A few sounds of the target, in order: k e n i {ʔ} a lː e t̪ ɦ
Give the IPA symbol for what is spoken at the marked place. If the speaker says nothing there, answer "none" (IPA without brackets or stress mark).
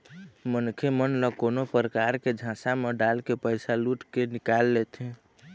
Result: k